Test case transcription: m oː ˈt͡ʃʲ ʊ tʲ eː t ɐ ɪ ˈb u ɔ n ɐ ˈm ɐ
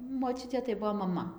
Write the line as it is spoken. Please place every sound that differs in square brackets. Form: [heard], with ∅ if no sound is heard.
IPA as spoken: m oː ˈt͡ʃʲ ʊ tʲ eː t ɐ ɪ ˈb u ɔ [m] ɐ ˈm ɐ